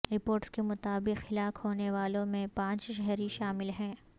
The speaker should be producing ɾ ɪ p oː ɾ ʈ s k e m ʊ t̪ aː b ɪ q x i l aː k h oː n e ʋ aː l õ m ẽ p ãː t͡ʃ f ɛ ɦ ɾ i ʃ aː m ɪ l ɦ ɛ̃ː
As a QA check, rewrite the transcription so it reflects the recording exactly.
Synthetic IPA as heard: ɾ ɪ p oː ɾ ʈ s k e m ʊ t̪ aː b ɪ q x ɪ l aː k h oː n e ʋ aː l õ m ẽ p ãː t͡ʃ ʃ ɛ ɦ ɾ i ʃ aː m ɪ l ɦ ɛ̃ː